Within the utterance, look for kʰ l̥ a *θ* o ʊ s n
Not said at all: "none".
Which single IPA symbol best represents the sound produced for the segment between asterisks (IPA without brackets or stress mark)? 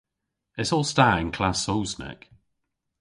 s